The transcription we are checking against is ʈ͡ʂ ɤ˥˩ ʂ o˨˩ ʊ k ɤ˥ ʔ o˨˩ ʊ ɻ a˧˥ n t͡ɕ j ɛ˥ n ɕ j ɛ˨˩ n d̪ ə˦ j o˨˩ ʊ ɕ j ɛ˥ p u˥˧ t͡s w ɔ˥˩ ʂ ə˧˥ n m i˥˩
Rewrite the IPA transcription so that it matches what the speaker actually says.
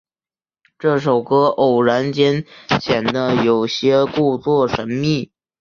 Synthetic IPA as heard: ʈ͡ʂ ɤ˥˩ ʂ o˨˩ ʊ k ɤ˥ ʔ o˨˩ ʊ ɻ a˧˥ n t͡ɕ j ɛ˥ n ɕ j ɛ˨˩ n d̪ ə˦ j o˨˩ ʊ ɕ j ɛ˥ k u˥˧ t͡s w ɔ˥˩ ʂ ə˧˥ n m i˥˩